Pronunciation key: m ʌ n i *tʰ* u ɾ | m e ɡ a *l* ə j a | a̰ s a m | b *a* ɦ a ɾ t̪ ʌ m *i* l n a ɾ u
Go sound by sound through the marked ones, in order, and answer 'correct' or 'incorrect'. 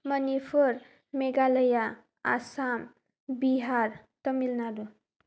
incorrect, correct, incorrect, correct

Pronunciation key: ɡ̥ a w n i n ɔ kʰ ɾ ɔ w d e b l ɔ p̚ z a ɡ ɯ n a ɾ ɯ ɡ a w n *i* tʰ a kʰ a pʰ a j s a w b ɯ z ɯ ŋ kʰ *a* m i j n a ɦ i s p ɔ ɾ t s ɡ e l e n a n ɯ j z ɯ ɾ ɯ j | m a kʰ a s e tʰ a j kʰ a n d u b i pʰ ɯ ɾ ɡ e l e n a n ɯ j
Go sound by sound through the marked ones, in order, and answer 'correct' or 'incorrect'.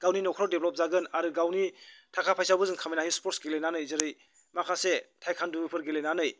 correct, correct

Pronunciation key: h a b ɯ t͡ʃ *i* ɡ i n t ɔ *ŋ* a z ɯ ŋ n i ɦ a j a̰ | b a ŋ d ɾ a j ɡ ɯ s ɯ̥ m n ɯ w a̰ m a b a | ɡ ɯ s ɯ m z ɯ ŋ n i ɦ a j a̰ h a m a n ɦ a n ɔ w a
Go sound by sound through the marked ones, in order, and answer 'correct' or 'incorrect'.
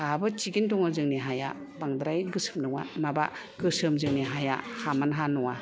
correct, correct

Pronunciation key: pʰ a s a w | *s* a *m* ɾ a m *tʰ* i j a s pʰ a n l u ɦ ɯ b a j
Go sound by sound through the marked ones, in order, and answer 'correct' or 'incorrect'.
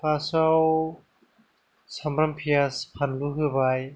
correct, correct, incorrect

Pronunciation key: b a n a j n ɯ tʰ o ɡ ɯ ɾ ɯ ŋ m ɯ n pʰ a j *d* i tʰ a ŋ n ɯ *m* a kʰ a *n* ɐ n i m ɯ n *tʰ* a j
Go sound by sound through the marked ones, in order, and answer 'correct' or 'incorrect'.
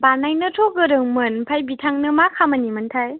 incorrect, correct, incorrect, correct

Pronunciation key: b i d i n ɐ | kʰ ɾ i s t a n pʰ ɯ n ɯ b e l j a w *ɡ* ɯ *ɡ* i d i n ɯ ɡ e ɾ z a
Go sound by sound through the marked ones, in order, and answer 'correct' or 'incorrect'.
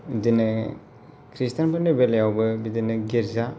incorrect, incorrect

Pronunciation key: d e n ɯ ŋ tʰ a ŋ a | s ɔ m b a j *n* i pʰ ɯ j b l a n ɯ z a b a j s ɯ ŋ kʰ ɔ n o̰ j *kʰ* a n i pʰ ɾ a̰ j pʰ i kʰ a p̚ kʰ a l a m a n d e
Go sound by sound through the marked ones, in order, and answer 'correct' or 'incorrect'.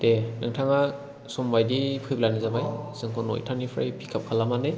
incorrect, incorrect

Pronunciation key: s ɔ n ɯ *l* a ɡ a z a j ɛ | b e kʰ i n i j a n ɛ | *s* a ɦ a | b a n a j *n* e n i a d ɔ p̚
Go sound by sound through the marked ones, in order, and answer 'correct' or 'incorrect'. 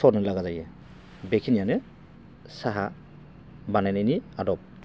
correct, correct, correct

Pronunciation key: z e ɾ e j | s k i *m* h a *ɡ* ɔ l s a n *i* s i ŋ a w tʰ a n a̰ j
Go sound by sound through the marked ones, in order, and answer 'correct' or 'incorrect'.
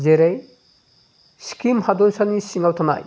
correct, incorrect, correct

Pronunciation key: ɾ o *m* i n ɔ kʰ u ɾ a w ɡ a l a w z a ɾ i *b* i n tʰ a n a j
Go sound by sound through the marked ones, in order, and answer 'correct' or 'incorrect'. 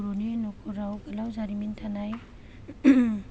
incorrect, incorrect

